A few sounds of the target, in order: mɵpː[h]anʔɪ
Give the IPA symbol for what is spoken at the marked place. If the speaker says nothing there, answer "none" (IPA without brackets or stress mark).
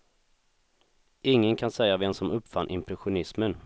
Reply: f